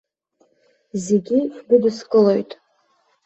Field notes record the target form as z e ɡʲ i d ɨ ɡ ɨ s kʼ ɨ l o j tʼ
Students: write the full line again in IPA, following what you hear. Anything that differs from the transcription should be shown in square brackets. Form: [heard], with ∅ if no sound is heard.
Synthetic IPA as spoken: z e ɡʲ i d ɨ [d] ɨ s kʼ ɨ l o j tʼ